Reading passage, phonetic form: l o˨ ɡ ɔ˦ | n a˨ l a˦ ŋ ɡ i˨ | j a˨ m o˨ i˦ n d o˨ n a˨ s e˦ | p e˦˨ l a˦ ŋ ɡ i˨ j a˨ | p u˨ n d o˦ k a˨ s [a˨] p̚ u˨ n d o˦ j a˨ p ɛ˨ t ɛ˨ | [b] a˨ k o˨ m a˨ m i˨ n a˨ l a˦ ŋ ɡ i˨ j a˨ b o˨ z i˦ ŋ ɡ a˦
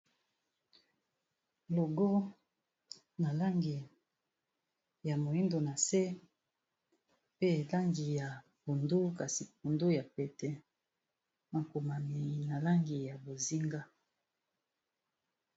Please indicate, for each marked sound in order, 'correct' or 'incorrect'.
incorrect: i˨, incorrect: m

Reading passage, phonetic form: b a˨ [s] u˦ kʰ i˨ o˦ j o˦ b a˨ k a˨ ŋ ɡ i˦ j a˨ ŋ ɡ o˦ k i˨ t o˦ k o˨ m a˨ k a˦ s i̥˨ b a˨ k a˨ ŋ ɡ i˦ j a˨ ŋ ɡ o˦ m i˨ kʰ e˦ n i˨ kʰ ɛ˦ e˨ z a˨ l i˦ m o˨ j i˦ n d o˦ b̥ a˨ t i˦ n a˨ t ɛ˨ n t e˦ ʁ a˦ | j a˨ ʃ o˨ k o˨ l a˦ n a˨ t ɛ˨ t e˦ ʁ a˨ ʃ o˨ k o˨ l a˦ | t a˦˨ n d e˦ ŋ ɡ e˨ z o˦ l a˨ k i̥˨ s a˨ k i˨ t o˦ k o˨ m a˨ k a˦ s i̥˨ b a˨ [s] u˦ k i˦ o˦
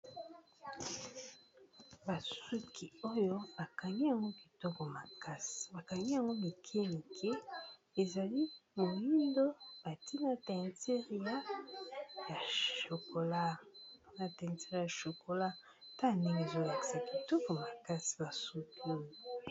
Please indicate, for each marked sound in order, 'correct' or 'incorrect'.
correct, correct

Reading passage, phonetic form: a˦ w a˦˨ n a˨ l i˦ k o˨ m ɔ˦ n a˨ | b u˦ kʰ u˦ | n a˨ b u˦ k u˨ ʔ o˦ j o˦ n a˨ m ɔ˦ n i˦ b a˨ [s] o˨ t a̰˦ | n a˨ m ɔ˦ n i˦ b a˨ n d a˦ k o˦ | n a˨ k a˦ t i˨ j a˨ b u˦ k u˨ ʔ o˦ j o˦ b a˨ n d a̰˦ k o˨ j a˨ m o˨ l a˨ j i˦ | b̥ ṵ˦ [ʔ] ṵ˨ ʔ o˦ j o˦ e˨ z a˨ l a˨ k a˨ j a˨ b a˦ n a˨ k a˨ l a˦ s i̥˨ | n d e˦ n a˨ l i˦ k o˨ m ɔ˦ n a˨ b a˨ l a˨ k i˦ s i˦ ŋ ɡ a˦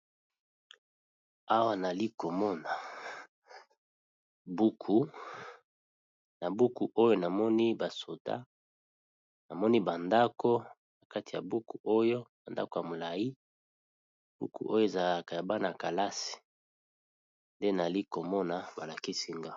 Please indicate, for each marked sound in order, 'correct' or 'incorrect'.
correct, incorrect: k

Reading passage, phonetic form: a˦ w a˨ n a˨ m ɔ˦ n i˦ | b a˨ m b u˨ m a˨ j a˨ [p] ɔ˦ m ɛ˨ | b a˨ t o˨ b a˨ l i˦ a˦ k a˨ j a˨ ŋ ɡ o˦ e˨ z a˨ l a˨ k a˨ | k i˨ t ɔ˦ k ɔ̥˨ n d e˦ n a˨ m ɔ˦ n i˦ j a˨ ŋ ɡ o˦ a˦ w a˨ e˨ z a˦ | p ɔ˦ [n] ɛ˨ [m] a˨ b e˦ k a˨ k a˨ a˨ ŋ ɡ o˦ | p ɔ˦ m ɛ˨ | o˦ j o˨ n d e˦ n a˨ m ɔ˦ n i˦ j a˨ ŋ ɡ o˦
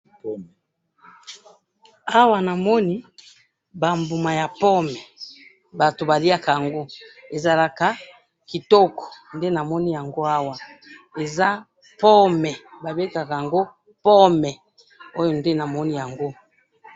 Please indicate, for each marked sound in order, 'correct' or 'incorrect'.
correct, incorrect: m, incorrect: b

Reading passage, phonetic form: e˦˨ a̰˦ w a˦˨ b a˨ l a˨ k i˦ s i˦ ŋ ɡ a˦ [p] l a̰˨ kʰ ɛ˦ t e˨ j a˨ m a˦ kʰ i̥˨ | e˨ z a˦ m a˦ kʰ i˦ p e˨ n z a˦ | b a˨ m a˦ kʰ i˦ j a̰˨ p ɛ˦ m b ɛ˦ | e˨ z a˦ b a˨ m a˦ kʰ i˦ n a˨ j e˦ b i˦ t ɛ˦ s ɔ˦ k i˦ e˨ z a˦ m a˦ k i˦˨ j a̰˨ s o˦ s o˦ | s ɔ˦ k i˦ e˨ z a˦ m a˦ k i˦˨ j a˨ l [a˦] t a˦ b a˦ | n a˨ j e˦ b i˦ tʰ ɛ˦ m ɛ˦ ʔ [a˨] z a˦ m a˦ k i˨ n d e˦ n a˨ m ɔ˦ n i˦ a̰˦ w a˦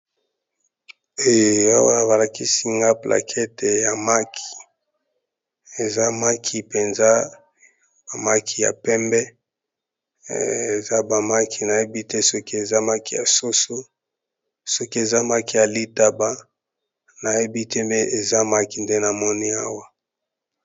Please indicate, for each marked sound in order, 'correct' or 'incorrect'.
correct, incorrect: i˦, incorrect: e˨

